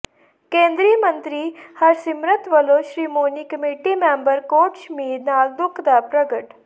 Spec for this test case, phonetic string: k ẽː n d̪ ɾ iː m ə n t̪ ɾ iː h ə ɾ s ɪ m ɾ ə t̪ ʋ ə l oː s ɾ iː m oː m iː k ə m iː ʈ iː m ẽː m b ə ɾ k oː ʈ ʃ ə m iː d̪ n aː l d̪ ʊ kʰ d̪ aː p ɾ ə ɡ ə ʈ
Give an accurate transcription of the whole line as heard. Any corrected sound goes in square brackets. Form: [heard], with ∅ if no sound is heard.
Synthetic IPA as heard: k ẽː n d̪ ɾ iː m ə n t̪ ɾ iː h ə ɾ s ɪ m ɾ ə t̪ ʋ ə l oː [ʃ] ɾ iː m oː [n] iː k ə m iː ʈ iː m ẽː m b ə ɾ k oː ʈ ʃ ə m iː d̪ n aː l d̪ ʊ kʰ d̪ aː p ɾ ə ɡ ə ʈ

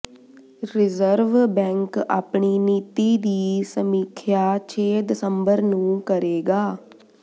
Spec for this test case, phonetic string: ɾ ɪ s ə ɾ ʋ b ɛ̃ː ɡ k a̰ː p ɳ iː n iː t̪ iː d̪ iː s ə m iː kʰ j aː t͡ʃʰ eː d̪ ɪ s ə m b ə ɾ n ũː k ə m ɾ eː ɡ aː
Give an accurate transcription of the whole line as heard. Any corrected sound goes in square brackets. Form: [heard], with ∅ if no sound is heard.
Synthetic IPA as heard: ɾ ɪ [z] ə ɾ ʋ b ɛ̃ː [ŋ] k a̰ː p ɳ iː n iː t̪ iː d̪ iː s ə m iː kʰ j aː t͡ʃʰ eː d̪ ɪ s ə m b ə ɾ n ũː k ə [∅] ɾ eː ɡ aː

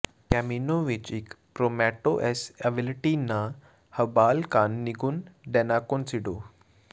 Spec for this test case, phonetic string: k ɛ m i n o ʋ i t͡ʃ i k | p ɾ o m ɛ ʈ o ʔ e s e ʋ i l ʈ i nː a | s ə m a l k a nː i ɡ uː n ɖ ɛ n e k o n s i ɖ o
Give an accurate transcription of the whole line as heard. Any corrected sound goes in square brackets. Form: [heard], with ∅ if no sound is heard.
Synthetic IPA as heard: k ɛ m i n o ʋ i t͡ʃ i k | p ɾ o m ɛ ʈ o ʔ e s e ʋ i l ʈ i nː a | [h] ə [b] a l k a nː i ɡ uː n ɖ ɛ n [a] k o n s i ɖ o

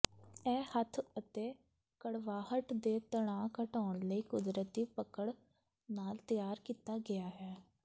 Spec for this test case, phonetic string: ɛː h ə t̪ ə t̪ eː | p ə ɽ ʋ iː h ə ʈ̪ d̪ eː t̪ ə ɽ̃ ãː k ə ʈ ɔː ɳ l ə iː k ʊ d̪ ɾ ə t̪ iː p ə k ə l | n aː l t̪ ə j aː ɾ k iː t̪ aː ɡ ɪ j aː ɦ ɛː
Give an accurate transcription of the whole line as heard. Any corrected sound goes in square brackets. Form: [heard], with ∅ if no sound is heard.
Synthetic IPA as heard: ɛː h ə [t̪ʰ] ə t̪ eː | [k] ə ɽ ʋ [aː] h ə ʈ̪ d̪ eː t̪ ə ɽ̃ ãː k ə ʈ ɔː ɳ l ə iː k ʊ d̪ ɾ ə t̪ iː p ə k ə [ɽ] | n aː l t̪ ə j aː ɾ k iː t̪ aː ɡ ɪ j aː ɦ ɛː

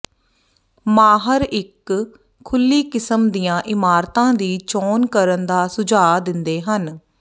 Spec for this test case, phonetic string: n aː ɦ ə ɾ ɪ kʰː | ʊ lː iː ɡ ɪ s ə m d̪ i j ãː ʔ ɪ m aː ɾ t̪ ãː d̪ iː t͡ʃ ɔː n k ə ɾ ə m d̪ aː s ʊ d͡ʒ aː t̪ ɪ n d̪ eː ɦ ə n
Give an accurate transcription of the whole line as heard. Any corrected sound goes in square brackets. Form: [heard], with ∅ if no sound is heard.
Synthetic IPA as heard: [m] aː ɦ ə ɾ ɪ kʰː | ʊ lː iː [k] ɪ s ə m d̪ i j ãː ʔ ɪ m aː ɾ t̪ ãː d̪ iː t͡ʃ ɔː n k ə ɾ ə [n] d̪ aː s ʊ d͡ʒ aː [d̪] ɪ n d̪ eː ɦ ə n

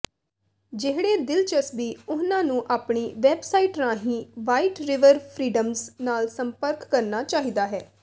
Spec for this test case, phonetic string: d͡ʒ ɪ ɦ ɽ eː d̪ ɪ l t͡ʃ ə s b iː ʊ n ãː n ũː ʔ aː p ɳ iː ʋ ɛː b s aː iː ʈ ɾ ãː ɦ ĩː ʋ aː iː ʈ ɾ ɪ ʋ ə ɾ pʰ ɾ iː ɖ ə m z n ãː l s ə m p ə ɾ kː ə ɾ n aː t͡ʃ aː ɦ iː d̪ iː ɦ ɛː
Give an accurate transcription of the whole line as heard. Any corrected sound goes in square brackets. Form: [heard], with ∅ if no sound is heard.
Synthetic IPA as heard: d͡ʒ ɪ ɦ ɽ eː d̪ ɪ l t͡ʃ ə s b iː ʊ n ãː n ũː ʔ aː p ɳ iː ʋ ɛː b s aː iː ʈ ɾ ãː ɦ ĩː ʋ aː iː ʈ ɾ ɪ ʋ ə ɾ pʰ ɾ iː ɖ ə m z n [aː] l s ə m p ə ɾ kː ə ɾ n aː t͡ʃ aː ɦ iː d̪ [aː] ɦ ɛː

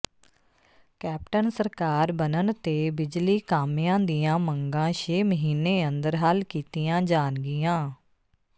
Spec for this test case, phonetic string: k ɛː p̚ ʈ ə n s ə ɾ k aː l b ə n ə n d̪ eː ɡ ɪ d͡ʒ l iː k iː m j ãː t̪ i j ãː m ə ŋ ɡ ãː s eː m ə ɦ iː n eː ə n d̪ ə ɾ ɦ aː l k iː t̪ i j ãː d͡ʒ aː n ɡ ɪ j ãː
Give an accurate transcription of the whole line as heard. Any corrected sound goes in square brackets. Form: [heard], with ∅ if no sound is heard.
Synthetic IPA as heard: k ɛː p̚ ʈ ə n s ə ɾ k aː [ɾ] b ə n ə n [t̪] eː [b] ɪ d͡ʒ l iː k [aː] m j ãː [d̪] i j ãː m ə ŋ ɡ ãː [ʃ] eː m ə ɦ iː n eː ə n d̪ ə ɾ ɦ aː l k iː t̪ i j ãː d͡ʒ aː n ɡ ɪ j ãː

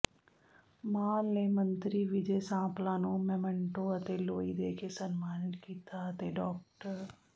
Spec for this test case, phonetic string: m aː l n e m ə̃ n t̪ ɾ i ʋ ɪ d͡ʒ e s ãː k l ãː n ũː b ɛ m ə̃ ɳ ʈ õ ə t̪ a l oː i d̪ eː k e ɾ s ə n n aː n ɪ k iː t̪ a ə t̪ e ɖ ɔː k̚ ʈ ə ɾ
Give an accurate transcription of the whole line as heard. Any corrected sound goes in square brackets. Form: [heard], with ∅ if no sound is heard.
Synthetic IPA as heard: m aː l n e m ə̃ n t̪ ɾ i ʋ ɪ d͡ʒ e s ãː [p] l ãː n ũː [m] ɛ m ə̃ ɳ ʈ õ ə t̪ [e] l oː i d̪ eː k e [∅] s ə n [m] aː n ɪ k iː t̪ a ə t̪ e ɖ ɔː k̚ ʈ ə ɾ

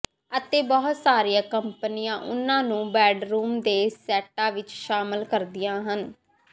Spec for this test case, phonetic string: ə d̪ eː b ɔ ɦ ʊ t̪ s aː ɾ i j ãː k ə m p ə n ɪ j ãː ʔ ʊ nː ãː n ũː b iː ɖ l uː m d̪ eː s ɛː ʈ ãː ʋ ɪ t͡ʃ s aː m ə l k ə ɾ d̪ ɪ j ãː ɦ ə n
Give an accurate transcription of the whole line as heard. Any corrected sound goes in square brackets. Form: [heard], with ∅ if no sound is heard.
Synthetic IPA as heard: ə [t̪] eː b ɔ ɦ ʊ t̪ s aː ɾ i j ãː k ə m p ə n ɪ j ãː ʔ ʊ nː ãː n ũː b [ɛː] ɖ [ɾ] uː m d̪ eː s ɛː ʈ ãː ʋ ɪ t͡ʃ [ʃ] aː m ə l k ə ɾ d̪ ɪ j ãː ɦ ə n

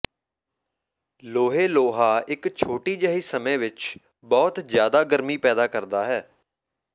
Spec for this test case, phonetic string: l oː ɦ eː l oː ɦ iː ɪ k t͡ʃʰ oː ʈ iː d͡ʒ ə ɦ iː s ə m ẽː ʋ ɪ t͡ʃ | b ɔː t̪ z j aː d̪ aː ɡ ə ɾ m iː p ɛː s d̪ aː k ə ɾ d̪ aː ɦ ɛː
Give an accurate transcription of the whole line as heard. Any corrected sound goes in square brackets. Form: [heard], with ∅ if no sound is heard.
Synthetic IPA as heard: l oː ɦ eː l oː ɦ [aː] ɪ k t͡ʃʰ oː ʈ iː d͡ʒ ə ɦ iː s ə m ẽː ʋ ɪ t͡ʃ | b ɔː t̪ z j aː d̪ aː ɡ ə ɾ m iː p ɛː [∅] d̪ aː k ə ɾ d̪ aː ɦ ɛː

